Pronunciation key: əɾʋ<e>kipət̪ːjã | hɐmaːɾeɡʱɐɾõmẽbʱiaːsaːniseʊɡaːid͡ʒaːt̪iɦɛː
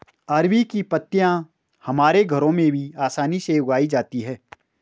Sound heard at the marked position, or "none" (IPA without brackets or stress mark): i